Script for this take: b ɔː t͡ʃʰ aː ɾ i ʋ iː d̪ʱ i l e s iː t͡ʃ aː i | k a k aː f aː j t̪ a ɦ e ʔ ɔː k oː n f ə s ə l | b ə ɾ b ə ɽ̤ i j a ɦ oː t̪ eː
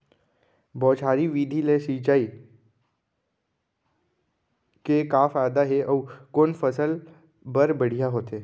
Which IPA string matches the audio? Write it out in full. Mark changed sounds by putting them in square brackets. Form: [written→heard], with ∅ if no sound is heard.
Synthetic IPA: b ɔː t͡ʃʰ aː ɾ i ʋ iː d̪ʱ i l e s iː t͡ʃ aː i | k [a→e] k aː f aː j [t̪→d̪] a ɦ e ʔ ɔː k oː n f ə s ə l | b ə ɾ b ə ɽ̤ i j a ɦ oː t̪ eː